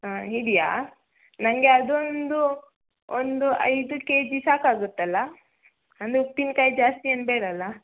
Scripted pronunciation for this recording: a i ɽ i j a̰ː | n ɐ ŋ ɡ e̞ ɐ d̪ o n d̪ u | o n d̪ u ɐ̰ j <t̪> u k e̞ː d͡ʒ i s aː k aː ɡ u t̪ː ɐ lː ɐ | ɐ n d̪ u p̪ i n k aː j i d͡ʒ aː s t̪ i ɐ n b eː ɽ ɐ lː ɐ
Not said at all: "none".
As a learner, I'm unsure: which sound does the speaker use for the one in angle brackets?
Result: d̪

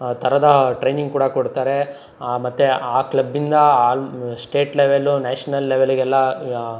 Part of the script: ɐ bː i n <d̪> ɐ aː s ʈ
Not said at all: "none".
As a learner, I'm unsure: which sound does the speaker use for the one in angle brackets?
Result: d̪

